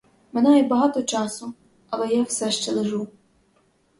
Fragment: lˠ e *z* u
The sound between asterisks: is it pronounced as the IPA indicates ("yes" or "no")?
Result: no